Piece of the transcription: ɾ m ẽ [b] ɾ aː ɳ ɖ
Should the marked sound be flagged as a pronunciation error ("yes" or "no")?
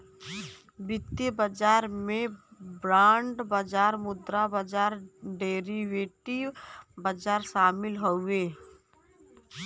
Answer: no